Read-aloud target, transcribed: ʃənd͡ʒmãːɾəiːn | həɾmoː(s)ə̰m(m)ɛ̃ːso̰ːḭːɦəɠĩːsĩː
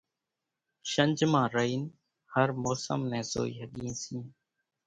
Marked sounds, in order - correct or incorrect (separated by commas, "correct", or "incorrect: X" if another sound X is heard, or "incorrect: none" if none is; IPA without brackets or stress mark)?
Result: correct, incorrect: n